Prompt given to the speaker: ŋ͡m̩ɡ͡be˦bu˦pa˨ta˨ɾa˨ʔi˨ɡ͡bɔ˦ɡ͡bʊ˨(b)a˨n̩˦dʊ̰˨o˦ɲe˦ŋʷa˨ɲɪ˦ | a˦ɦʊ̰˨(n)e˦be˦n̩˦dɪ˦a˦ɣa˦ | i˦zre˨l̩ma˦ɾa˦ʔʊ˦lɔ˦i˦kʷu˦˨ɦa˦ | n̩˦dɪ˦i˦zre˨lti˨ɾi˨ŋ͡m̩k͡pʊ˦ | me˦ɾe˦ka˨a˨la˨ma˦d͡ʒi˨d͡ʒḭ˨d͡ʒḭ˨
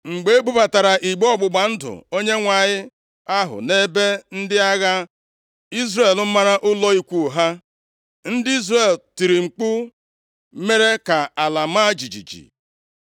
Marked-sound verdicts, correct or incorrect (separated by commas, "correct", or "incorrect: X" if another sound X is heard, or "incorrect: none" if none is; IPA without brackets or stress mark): incorrect: ɡ͡b, correct